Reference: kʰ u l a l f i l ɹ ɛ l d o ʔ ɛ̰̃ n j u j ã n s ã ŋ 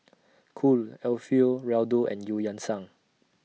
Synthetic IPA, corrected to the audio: kʰ u l ɛ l f i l ɹ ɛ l d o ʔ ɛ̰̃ n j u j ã n s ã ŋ